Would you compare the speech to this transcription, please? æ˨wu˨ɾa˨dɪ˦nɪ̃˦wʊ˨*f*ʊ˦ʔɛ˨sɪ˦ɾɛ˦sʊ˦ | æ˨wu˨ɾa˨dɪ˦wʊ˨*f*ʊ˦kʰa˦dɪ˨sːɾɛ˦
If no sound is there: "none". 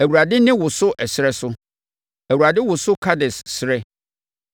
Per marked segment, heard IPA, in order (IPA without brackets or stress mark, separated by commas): s, s